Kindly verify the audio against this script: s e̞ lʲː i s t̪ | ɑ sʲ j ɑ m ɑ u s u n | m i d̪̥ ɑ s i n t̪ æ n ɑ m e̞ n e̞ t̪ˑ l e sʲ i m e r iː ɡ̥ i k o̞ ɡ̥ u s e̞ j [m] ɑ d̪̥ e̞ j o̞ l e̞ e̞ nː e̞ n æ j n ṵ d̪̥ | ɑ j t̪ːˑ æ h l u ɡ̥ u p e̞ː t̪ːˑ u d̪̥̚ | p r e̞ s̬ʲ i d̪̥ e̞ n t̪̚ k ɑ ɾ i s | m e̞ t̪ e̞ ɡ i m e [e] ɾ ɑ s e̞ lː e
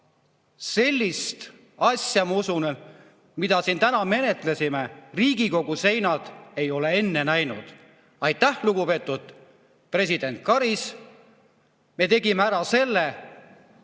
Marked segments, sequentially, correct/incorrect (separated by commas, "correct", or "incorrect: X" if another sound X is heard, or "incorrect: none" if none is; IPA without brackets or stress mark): incorrect: n, incorrect: æ